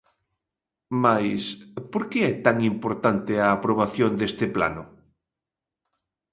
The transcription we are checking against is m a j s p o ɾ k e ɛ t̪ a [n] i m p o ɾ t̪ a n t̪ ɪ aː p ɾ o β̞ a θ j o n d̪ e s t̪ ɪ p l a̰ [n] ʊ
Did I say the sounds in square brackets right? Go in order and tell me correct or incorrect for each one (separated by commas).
incorrect, correct